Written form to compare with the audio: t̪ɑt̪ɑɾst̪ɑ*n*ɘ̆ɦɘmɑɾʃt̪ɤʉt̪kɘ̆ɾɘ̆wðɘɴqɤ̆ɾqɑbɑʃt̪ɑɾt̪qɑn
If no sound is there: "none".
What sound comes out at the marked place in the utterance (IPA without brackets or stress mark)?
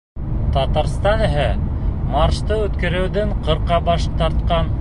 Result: n